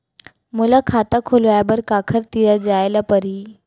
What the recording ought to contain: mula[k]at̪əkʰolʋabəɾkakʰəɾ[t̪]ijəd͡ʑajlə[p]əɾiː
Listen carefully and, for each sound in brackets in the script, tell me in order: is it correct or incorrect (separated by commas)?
incorrect, correct, correct